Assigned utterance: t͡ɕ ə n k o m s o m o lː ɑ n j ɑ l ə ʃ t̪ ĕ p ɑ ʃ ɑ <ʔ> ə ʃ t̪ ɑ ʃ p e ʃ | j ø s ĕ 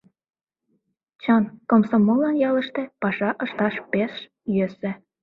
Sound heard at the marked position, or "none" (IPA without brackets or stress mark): ʔ